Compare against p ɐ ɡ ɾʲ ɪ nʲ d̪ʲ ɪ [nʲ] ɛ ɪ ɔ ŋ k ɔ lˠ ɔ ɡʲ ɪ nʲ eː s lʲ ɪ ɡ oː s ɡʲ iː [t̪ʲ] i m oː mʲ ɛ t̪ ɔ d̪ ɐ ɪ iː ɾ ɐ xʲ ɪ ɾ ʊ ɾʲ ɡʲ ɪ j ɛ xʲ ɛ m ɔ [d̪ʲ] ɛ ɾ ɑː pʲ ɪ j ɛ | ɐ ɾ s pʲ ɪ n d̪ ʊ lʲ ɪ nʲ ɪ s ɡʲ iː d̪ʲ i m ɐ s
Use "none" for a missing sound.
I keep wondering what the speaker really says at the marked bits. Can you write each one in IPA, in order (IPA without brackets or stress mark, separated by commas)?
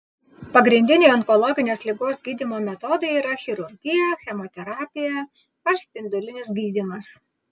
nʲ, d̪ʲ, t̪ʲ